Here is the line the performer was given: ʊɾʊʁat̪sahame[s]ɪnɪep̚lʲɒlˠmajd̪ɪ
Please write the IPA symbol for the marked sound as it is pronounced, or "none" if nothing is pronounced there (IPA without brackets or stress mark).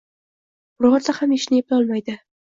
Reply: ʃ